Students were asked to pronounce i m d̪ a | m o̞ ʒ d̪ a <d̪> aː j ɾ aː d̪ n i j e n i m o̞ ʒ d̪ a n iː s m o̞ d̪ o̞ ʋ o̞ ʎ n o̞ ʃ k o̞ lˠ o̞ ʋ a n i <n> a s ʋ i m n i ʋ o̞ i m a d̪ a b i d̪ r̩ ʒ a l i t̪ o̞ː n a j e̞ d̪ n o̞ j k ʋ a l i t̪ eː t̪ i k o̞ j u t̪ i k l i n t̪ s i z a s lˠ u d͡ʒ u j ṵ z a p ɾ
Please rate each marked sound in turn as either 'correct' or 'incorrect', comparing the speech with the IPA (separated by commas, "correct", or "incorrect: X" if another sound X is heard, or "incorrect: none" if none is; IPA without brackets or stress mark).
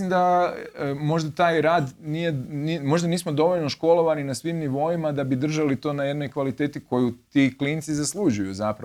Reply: incorrect: t̪, correct